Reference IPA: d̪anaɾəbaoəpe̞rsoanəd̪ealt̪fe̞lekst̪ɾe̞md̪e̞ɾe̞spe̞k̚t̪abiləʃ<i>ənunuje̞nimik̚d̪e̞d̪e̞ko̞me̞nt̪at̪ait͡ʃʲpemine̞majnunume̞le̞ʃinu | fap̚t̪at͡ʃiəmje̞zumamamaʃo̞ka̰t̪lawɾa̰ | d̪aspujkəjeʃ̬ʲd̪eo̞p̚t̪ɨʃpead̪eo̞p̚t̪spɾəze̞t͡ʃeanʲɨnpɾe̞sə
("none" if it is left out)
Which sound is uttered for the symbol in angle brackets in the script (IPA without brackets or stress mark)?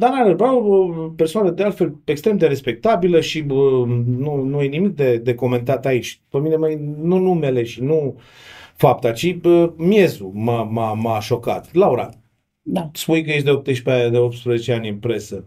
i